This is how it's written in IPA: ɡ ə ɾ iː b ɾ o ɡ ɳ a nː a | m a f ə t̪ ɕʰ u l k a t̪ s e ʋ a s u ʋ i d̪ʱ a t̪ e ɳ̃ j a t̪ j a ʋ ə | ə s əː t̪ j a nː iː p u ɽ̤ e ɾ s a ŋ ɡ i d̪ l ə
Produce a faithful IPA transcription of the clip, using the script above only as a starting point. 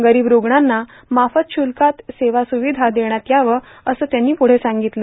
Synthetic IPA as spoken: ɡ ə ɾ iː b ɾ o ɡ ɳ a nː a | m a f ə t̪ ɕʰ u l k a t̪ s e ʋ a s u ʋ i d̪ʱ a d̪ e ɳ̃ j a t̪ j a ʋ ə | ə s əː t̪ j a nː iː p u ɽ̤ e s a ŋ ɡ i t̪ l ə